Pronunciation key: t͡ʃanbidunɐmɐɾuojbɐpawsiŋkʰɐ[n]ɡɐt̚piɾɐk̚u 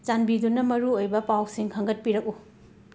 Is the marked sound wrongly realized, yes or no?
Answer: yes